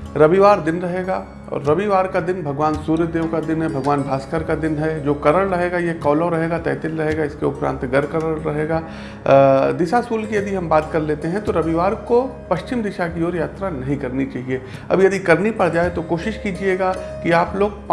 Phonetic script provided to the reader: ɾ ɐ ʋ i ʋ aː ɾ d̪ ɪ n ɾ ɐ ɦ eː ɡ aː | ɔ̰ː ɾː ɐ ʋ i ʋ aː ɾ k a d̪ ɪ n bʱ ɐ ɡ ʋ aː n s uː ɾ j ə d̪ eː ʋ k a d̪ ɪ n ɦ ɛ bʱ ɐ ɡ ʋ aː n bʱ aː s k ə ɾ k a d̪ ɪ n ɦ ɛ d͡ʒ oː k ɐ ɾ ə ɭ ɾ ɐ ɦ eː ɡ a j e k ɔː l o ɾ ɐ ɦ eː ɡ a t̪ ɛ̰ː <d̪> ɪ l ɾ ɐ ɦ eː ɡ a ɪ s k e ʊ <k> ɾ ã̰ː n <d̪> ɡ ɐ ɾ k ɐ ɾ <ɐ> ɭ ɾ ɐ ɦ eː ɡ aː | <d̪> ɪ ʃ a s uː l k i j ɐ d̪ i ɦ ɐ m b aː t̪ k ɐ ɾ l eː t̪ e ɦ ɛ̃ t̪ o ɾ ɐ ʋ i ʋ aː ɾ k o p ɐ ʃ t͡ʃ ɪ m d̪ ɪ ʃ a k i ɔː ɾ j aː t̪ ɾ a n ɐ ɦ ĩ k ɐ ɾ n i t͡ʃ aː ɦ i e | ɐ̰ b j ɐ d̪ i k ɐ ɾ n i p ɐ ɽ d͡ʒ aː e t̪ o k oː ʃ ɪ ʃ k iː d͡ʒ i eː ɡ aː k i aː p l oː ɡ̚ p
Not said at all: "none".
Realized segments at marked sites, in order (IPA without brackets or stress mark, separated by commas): t̪, p, t̪, ə, d̪